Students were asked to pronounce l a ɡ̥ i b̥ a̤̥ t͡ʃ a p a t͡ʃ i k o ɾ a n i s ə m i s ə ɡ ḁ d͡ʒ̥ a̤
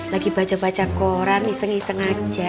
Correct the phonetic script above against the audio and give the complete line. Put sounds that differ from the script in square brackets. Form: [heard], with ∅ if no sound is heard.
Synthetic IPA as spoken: l a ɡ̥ i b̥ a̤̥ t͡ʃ a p a t͡ʃ [a] k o ɾ a n i s ə [ŋ] i s ə [ŋ] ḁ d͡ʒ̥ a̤